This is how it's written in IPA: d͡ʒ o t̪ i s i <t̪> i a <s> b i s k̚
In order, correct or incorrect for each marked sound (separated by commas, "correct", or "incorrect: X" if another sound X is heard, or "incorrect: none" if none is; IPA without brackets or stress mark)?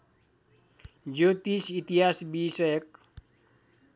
correct, correct